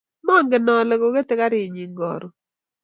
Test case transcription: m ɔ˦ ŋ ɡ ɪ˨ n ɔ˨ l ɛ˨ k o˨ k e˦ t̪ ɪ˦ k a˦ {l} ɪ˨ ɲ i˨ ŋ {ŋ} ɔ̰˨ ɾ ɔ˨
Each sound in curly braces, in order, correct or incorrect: incorrect: ɾ, incorrect: ɡ

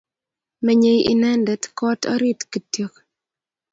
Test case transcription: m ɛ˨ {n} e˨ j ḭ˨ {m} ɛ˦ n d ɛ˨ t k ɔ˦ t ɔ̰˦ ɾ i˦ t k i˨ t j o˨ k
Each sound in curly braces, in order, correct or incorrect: incorrect: ɲ, incorrect: n

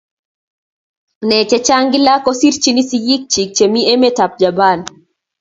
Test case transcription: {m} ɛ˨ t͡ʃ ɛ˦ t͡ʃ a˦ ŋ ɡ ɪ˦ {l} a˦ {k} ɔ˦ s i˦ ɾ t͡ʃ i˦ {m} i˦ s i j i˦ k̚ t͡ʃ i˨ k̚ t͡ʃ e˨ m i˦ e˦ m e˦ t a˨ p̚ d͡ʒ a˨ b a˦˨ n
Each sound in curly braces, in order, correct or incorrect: incorrect: n, correct, correct, incorrect: n

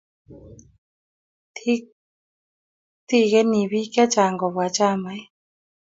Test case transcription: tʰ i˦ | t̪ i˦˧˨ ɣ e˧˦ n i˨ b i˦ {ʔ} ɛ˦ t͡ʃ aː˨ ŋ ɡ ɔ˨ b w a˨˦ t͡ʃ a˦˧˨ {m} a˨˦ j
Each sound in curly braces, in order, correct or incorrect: incorrect: k, correct

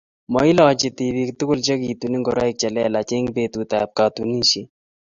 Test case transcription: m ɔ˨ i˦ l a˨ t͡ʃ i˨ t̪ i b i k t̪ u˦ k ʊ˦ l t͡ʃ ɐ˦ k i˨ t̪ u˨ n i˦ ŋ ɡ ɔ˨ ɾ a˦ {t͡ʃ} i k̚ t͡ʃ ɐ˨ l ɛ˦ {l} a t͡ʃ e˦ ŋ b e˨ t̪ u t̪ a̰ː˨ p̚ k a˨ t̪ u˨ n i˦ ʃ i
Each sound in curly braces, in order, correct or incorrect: incorrect: none, correct

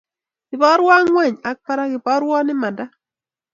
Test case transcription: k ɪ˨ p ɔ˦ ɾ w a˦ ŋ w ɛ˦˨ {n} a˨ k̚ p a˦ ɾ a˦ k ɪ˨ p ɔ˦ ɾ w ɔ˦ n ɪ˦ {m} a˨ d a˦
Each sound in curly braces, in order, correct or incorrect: incorrect: ɲ, correct

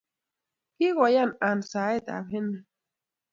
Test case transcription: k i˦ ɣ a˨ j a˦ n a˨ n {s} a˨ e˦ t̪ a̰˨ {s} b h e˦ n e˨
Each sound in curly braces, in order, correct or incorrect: correct, incorrect: none

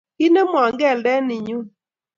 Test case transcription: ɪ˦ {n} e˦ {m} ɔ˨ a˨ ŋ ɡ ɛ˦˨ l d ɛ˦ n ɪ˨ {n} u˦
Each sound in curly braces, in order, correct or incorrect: correct, correct, incorrect: ɲ

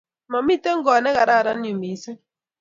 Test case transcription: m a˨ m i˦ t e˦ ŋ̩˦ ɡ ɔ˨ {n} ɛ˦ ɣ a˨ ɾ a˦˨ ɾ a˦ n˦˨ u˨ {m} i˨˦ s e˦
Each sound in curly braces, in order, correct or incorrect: correct, correct

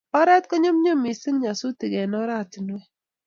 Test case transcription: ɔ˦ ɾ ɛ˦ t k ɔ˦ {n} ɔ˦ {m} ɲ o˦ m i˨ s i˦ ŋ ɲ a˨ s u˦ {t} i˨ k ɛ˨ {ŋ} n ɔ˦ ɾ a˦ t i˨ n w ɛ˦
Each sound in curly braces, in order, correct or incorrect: incorrect: ɲ, correct, correct, incorrect: none

